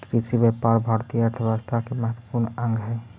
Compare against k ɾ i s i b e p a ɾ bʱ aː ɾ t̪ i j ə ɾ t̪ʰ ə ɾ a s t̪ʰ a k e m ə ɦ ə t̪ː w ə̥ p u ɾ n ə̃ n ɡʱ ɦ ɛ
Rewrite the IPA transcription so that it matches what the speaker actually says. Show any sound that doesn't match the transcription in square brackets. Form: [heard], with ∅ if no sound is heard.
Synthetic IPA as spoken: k ɾ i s i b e p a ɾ bʱ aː ɾ t̪ i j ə ɾ t̪ʰ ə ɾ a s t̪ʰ a k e m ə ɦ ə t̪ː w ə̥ p u ɾ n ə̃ [ŋ] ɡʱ ɦ ɛ